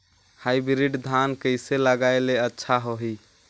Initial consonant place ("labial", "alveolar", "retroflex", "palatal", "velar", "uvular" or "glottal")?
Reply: glottal